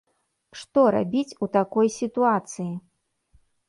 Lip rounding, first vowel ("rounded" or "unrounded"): rounded